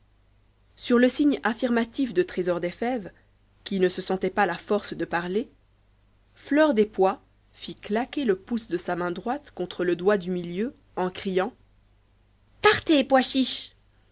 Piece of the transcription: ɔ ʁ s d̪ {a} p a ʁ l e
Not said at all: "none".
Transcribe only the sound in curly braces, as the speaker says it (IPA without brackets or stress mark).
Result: ə